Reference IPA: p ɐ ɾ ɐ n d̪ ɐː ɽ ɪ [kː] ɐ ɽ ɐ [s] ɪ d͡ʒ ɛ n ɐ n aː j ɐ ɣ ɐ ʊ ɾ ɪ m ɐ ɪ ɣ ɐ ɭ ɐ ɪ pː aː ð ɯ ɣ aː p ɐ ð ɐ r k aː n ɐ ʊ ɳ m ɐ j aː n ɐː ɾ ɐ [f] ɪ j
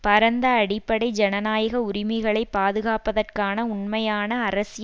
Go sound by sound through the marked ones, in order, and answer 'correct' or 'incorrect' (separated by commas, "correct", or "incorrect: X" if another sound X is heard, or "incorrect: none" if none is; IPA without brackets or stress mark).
incorrect: pː, incorrect: none, incorrect: s